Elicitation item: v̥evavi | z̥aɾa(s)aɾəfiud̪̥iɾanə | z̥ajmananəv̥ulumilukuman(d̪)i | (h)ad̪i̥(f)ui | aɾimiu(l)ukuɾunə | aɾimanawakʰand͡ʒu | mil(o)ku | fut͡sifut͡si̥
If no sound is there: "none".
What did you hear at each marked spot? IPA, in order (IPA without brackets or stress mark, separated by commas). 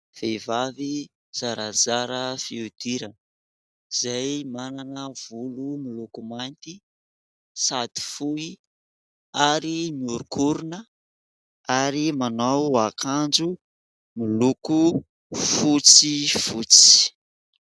z, t̪, s, f, ɾ, u